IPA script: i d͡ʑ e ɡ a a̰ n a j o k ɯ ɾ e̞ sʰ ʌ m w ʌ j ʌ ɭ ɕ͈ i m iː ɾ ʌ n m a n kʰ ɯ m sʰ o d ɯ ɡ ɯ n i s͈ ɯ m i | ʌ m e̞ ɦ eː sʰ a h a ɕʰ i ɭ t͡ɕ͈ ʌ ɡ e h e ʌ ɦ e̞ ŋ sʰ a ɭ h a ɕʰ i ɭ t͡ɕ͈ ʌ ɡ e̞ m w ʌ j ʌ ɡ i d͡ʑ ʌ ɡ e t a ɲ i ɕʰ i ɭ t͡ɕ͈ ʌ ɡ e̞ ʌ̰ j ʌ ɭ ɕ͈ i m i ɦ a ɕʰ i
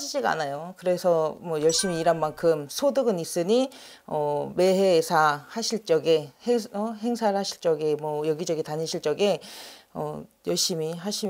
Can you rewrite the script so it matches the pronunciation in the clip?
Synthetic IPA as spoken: i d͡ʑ i ɡ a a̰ n a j o k ɯ ɾ e̞ sʰ ʌ m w ʌ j ʌ ɭ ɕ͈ i m iː ɾ a n m a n kʰ ɯ m sʰ o d ɯ ɡ ɯ n i s͈ ɯ ɲ i | ʌ m e̞ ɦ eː sʰ a h a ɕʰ i ɭ t͡ɕ͈ ʌ ɡ e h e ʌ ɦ e̞ ŋ sʰ a ɭ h a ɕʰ i ɭ t͡ɕ͈ ʌ ɡ e̞ m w ʌ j ʌ ɡ i d͡ʑ ʌ ɡ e t a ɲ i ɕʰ i ɭ t͡ɕ͈ ʌ ɡ e̞ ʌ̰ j ʌ ɭ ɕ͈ i m i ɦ a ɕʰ i

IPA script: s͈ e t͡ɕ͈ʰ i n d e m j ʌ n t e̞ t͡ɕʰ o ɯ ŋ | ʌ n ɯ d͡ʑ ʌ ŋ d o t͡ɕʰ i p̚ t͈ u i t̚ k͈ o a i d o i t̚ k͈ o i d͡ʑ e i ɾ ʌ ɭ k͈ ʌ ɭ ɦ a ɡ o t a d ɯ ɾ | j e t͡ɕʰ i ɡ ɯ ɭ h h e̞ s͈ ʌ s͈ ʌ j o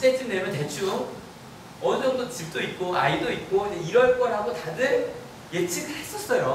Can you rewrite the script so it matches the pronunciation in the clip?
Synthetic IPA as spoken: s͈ e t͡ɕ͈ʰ i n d e m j ʌ n t e̞ t͡ɕʰ u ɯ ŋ | ʌ n ɯ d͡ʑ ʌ ŋ d o t͡ɕ i p̚ t͈ o i t̚ k͈ o a i d o i t̚ k͈ o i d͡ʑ e i ɾ ʌ ɭ k͈ ʌ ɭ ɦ a ɡ o t a d ɯ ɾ | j e t͡ɕʰ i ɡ ɯ ɭ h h e̞ s͈ ʌ s͈ ʌ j o

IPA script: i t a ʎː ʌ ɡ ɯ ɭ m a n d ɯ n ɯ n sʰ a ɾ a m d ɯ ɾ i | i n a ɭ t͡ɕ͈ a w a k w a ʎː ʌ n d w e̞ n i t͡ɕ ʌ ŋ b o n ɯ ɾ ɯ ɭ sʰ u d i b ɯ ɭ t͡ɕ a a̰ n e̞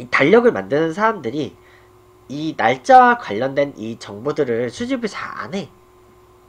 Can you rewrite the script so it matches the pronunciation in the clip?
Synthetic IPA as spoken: i t a ʎː ʌ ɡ ɯ ɭ m a n d ɯ n ɯ n sʰ a ɾ a m d ɯ ɾ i | i n a ɭ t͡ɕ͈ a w a k w a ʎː ʌ n d w e̞ n i t͡ɕ ʌ ŋ b o d ɯ ɾ ɯ ɭ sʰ u d͡ʑ i b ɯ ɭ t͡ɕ a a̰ n e̞

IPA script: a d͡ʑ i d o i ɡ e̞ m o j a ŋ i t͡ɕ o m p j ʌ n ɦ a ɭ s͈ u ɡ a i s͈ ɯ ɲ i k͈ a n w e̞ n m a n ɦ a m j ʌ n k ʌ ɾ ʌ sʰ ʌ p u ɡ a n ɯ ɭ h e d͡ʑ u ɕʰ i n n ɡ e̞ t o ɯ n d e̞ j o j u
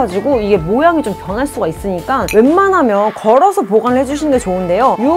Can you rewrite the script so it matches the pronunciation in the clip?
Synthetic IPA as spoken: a d͡ʑ i ɡ o i ɡ e̞ m o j a ŋ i t͡ɕ o m p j ʌ n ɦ a ɭ s͈ u ɡ a i s͈ ɯ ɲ i k͈ a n w e̞ n m a n ɦ a m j ʌ n k ʌ ɾ ʌ sʰ ʌ p o ɡ a n ɯ ɭ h e d͡ʑ u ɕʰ i n n ɡ e̞ t͡ɕ o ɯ n d e̞ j o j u

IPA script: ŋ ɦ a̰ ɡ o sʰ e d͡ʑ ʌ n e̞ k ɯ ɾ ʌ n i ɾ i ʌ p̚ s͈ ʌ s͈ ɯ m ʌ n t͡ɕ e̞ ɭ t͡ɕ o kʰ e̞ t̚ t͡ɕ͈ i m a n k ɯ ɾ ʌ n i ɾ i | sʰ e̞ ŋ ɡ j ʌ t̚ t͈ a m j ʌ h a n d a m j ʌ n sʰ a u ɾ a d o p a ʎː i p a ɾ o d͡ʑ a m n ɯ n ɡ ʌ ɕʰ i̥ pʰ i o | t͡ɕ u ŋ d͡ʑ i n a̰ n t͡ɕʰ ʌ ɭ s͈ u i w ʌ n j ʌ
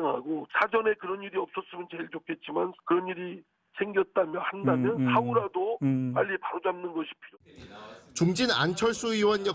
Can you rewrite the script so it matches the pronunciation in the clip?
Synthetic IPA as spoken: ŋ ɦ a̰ ɡ o sʰ a d͡ʑ ʌ n e̞ k ɯ ɾ ʌ n i ɾ i ʌ p̚ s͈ ʌ s͈ ɯ m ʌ n t͡ɕ e̞ ɭ t͡ɕ o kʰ e̞ t̚ t͡ɕ͈ i m a n k ɯ ɾ ʌ n i ɾ i | sʰ e̞ ŋ ɡ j ʌ t̚ t͈ a m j ʌ h a n d a m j ʌ n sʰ a u ɾ a d o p a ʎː i p a ɾ o d͡ʑ a m n ɯ n ɡ ʌ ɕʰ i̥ pʰ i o | t͡ɕ u ŋ d͡ʑ i n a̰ n t͡ɕʰ ʌ ɭ s͈ u i w ʌ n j ʌ

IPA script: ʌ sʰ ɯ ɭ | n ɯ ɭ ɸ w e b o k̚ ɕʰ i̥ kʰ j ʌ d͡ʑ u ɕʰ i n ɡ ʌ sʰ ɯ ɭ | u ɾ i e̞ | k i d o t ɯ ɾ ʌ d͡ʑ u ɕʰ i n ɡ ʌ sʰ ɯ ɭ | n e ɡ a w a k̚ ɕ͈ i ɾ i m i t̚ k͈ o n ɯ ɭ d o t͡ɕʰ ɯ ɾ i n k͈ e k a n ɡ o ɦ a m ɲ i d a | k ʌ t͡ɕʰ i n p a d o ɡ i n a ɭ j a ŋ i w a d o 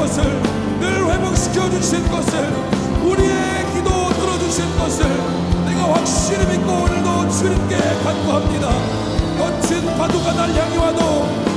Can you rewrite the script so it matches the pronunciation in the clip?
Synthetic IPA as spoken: ʌ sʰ ɯ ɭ | n ɯ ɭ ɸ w e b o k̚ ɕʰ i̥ kʰ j ʌ d͡ʑ u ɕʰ i n ɡ ʌ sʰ ɯ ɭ | u ɾ i e̞ | k i d o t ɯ ɾ ʌ d͡ʑ u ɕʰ i n ɡ ʌ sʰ ɯ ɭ | n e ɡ a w a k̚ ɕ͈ i ɾ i m i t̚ k͈ o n ɯ ɭ d o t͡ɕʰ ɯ ɾ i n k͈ e k a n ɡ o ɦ a m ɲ i d a | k ʌ t͡ɕʰ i n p a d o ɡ a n a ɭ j a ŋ i w a d o

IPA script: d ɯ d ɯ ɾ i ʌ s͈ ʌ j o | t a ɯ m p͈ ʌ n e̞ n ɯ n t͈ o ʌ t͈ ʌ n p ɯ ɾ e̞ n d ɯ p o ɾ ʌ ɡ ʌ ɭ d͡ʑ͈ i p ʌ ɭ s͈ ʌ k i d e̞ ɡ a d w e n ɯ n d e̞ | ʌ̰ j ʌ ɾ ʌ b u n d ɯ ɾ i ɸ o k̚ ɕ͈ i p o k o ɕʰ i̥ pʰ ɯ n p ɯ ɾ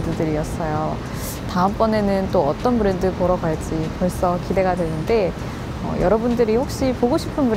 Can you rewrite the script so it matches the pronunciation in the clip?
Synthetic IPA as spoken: d ɯ d ɯ ɾ i ʌ s͈ ʌ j o | t a ɯ m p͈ ʌ n e̞ n ɯ n t͈ o ʌ t͈ ʌ n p ɯ ɾ e̞ n d ɯ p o ɾ ʌ ɡ a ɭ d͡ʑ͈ i p ʌ ɭ s͈ ʌ k i d e̞ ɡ a d w e n ɯ n d e̞ | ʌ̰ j ʌ ɾ ʌ b u n d ɯ ɾ i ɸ o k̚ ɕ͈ i p o ɡ o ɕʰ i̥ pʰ ɯ n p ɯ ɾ

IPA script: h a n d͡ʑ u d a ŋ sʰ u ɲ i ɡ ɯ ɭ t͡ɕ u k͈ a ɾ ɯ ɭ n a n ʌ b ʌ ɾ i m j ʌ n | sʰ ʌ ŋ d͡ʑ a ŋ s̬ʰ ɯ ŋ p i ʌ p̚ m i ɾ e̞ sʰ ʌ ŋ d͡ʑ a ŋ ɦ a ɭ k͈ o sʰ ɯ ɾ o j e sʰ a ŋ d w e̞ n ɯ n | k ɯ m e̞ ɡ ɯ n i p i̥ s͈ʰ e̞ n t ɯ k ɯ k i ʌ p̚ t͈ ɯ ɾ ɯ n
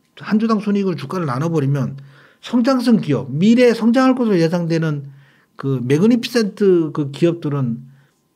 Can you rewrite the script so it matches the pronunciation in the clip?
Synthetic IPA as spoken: h a n d͡ʑ u d a ŋ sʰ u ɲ i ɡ ɯ ɭ t͡ɕ u k͈ a ɾ ɯ ɭ n a n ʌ b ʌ ɾ i m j ʌ n | sʰ ʌ ŋ d͡ʑ a ŋ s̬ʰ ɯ ŋ k i ʌ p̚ m i ɾ e̞ sʰ ʌ ŋ d͡ʑ a ŋ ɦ a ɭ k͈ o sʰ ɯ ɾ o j e sʰ a ŋ d w e̞ n ɯ n | k ɯ m e̞ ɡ ɯ n i pʰ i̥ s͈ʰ e̞ n tʰ ɯ k ɯ k i ʌ p̚ t͈ ɯ ɾ ɯ n

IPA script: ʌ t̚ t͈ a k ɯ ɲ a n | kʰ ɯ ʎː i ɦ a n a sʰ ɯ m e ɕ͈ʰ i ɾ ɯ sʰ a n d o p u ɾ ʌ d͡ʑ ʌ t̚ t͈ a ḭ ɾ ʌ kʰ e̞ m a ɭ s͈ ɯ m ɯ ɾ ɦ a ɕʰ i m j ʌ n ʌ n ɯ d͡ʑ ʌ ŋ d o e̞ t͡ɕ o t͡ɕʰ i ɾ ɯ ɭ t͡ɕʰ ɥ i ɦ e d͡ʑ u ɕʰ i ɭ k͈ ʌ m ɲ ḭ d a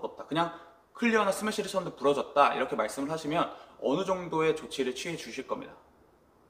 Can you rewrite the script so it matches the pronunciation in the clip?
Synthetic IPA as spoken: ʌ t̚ t͈ a k ɯ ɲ a ŋ | kʰ ɯ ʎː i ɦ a n a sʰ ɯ m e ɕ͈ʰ i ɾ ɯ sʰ ʌ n d o p u ɾ ʌ d͡ʑ ʌ t̚ t͈ a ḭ ɾ ʌ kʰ e̞ m a ɭ s͈ ɯ m ɯ ɭ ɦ a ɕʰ i m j ʌ n ʌ n ɯ d͡ʑ ʌ ŋ d o e̞ t͡ɕ o t͡ɕʰ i ɾ ɯ ɭ t͡ɕʰ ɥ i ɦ e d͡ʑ u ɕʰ i ɭ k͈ ʌ m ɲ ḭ d a

